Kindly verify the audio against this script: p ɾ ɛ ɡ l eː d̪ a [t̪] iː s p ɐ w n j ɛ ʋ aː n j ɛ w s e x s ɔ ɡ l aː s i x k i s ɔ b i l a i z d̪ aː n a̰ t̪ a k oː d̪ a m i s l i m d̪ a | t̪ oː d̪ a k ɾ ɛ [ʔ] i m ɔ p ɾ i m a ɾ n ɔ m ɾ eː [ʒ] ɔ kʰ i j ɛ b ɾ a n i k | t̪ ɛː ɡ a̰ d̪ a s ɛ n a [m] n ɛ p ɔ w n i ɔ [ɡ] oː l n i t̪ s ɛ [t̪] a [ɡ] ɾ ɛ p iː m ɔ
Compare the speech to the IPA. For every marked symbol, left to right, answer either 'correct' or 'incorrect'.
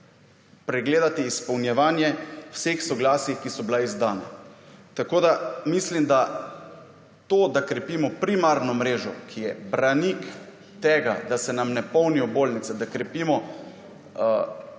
correct, incorrect, correct, correct, incorrect, incorrect, incorrect

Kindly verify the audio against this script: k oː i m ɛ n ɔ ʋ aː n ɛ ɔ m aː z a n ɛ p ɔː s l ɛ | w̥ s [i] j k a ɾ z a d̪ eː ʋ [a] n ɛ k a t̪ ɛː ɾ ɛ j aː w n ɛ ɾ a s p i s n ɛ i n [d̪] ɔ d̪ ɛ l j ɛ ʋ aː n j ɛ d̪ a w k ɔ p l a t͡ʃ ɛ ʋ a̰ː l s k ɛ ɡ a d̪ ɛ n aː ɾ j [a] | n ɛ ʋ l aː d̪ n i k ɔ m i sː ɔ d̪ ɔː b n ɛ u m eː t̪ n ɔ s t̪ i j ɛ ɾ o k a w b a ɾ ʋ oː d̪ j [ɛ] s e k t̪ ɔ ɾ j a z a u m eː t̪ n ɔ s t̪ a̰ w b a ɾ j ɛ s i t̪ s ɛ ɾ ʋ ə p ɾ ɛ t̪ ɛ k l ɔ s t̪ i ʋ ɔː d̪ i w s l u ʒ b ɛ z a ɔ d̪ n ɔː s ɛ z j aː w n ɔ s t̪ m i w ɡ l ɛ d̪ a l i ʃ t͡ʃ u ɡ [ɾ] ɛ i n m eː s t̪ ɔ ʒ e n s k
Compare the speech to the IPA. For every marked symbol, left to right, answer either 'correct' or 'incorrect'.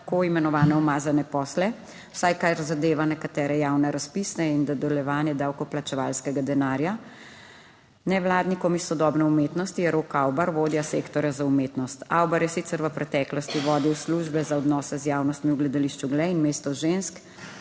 incorrect, correct, correct, correct, incorrect, incorrect

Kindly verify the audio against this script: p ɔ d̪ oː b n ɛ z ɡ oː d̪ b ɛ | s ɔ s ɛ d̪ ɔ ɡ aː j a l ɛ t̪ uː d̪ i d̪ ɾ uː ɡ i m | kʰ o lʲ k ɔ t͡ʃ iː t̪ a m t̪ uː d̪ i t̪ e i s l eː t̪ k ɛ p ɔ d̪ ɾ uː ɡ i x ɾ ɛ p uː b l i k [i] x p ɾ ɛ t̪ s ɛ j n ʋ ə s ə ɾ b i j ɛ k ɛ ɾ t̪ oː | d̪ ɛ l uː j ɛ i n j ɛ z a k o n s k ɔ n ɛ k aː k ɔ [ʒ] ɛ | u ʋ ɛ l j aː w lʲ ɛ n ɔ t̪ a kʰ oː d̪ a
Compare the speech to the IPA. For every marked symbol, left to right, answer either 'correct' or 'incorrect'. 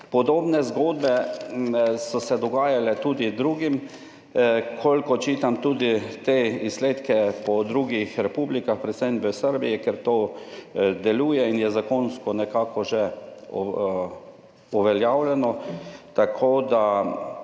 incorrect, correct

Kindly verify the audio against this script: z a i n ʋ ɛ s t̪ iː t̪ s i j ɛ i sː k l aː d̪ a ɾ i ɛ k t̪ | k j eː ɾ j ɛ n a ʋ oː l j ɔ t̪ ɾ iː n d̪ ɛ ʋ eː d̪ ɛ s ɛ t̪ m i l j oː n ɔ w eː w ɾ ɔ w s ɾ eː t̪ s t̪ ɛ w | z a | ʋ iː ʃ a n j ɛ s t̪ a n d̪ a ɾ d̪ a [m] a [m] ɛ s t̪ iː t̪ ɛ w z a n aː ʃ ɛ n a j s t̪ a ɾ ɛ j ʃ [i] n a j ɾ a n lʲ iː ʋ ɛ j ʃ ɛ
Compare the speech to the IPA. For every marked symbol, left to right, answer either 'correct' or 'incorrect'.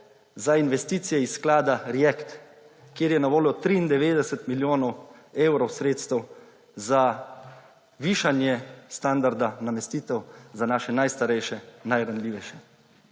incorrect, correct, incorrect

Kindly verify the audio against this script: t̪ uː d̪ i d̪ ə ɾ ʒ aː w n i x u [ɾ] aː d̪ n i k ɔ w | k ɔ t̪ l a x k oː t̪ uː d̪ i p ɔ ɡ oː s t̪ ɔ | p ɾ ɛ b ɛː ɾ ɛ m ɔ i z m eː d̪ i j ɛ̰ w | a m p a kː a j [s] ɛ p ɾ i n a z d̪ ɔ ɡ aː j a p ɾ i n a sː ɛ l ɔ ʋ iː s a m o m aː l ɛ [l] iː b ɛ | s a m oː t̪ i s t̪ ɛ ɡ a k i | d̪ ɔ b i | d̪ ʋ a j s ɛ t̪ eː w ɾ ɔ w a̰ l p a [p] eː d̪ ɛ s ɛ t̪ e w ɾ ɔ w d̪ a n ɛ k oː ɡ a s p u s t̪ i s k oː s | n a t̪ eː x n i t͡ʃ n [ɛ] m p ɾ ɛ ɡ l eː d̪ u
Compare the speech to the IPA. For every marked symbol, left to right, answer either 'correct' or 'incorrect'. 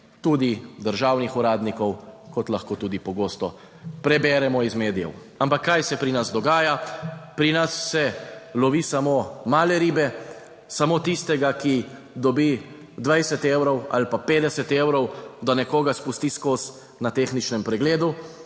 correct, correct, incorrect, correct, correct

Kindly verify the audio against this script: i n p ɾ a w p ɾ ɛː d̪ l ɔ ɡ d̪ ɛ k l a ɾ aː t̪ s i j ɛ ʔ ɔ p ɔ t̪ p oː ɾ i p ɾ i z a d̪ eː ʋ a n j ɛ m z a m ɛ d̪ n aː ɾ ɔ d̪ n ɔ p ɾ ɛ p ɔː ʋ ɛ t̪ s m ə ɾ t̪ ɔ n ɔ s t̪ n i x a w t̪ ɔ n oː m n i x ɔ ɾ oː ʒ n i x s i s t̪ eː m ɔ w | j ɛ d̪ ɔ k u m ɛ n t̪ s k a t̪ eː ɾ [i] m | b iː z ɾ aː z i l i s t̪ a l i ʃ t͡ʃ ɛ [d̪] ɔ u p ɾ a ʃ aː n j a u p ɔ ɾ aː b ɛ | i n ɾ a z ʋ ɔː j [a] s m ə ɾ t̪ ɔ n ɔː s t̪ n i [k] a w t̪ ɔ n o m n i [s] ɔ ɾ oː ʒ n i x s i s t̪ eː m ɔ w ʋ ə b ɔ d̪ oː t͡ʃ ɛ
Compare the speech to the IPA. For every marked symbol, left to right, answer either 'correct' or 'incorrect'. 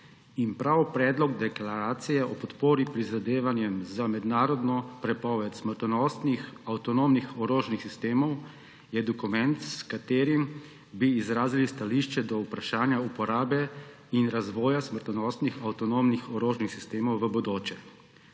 correct, correct, correct, incorrect, incorrect

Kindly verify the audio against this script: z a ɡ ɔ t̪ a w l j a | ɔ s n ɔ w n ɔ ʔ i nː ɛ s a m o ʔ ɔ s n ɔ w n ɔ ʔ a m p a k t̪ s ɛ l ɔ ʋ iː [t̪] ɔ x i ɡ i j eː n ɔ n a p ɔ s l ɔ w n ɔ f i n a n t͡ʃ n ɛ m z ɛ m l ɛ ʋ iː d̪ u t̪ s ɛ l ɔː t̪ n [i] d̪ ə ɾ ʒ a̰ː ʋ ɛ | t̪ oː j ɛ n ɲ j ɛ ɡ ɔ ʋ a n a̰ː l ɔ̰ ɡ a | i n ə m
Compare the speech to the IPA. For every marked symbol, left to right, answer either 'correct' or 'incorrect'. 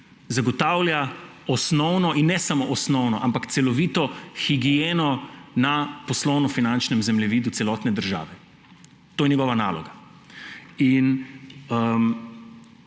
correct, incorrect

